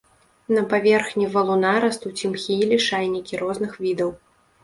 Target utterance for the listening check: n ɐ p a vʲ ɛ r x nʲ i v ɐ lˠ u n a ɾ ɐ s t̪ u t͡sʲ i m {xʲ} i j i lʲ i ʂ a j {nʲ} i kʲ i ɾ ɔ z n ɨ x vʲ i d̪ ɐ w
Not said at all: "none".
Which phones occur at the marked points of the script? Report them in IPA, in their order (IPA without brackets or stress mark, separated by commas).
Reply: xʲ, nʲ